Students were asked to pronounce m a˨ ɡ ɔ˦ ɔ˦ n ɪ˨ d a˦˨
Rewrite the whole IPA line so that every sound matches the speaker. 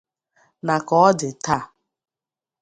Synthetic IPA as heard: n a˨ k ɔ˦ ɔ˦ d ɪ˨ t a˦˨